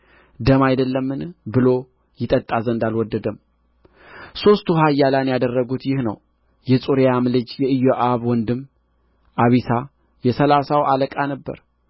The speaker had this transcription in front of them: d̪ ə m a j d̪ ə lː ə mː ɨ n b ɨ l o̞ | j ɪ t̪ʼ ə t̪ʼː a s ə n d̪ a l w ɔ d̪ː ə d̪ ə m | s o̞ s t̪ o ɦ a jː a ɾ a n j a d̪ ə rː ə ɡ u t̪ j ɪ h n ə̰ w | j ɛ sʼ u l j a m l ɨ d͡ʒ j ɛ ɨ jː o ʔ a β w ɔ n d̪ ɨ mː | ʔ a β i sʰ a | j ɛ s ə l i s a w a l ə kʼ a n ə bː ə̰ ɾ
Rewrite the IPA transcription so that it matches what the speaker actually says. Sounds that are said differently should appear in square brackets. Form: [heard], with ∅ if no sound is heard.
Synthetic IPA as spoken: d̪ ə m a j d̪ ə lː ə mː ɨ n b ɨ l o̞ | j ɪ t̪ʼ ə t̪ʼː a [z] ə n d̪ a l w ɔ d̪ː ə d̪ ə m | s o̞ s t̪ [u] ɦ a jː a [l] a n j a d̪ ə rː ə ɡ u t̪ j ɪ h n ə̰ w | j ɛ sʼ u [ɾ] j a m l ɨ d͡ʒ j ɛ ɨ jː o ʔ a β w ɔ n d̪ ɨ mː | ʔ a β i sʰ a | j ɛ s ə l [a] s a w a l ə kʼ a n ə bː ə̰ ɾ